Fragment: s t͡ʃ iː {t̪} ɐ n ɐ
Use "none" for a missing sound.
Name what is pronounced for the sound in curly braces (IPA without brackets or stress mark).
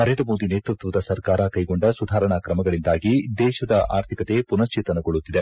t̪